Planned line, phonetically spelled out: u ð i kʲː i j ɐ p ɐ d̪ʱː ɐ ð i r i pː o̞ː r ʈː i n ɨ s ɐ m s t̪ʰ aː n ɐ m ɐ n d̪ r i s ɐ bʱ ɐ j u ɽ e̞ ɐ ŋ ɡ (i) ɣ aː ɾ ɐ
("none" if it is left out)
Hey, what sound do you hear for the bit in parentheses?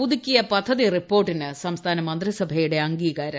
iː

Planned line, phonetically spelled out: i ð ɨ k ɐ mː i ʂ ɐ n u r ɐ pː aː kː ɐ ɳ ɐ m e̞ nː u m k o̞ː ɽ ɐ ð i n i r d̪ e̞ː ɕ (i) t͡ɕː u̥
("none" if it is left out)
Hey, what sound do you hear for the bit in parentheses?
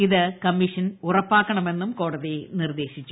i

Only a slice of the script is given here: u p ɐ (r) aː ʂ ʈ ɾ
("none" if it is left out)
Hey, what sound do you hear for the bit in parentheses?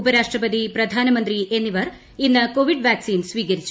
ɾ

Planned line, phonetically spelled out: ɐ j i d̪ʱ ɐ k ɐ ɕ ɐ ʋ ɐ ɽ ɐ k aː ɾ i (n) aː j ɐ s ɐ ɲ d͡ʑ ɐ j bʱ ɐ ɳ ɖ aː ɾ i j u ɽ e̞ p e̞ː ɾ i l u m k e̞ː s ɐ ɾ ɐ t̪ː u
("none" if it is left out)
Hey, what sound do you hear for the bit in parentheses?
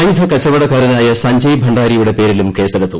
n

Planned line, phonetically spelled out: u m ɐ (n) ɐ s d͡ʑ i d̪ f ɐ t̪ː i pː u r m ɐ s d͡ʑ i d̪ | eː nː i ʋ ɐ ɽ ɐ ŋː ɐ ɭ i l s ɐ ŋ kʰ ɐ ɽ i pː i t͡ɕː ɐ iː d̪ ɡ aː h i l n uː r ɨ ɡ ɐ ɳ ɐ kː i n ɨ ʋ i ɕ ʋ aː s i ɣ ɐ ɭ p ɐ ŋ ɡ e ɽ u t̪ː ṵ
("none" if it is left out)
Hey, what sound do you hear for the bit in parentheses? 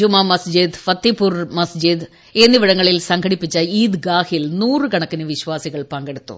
m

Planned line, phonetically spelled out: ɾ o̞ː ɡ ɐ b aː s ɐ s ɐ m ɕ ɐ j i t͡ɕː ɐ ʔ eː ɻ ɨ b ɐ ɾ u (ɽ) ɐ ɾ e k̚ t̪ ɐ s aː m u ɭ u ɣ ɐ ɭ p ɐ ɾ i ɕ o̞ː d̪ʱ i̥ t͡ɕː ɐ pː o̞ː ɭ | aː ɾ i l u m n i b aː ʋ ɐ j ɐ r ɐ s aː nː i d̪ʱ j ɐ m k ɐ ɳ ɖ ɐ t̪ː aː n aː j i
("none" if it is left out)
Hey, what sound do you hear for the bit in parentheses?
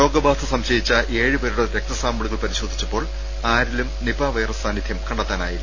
ɽ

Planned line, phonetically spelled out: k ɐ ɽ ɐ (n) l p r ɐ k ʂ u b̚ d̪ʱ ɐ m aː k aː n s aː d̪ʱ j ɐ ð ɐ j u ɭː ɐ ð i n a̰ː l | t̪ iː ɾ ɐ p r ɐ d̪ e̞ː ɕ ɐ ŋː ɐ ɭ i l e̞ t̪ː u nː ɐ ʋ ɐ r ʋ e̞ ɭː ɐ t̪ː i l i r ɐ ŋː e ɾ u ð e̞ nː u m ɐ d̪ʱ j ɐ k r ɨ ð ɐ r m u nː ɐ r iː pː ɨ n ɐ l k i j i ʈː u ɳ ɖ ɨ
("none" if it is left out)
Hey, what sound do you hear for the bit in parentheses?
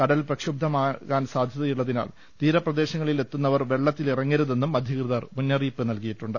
none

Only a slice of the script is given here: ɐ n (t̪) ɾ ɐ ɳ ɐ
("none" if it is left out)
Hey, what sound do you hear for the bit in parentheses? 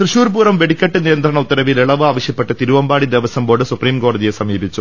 d̪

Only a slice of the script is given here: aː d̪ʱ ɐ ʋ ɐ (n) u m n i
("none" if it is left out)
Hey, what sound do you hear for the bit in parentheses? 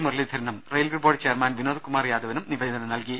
n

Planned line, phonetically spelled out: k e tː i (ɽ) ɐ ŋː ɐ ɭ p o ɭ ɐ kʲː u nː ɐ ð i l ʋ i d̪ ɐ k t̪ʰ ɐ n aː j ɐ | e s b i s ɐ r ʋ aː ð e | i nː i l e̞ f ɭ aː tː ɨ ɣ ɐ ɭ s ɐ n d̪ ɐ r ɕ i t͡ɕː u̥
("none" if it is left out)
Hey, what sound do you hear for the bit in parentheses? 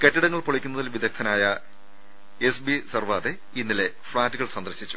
ɽ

